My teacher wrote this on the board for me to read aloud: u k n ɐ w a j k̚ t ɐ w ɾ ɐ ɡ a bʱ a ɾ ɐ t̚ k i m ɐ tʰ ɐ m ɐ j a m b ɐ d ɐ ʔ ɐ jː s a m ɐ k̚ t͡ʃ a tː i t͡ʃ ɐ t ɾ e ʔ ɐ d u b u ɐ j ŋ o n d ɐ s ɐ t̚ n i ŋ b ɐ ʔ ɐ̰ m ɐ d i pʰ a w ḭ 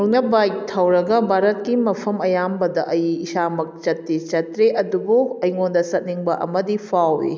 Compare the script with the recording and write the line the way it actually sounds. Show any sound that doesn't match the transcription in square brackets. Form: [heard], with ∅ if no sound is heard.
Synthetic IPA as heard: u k n ɐ [b] a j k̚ [tʰ] ɐ w ɾ ɐ ɡ [ɐ] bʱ a ɾ ɐ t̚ k i m ɐ [pʰ] ɐ m ɐ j a m b ɐ d ɐ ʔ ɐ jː s a m ɐ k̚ t͡ʃ [ɐ] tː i t͡ʃ ɐ t ɾ e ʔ ɐ d u b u ɐ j ŋ o n d ɐ s ɐ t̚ n i ŋ b ɐ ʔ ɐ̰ m ɐ d i pʰ a w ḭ